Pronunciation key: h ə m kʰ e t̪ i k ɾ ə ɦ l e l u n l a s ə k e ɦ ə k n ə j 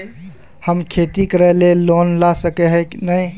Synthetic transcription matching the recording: h ə m kʰ e t̪ i k ɾ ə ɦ l e l o n l a s ə k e ɦ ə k n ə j